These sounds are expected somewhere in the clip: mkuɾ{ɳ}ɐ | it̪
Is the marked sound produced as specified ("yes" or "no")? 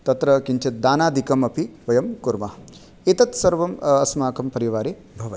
no